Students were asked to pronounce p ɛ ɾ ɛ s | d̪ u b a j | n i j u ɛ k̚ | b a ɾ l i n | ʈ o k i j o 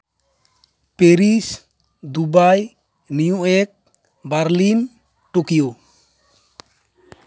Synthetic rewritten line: p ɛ ɾ i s | d̪ u b a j | n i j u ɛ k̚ | b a ɾ l i n | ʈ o k i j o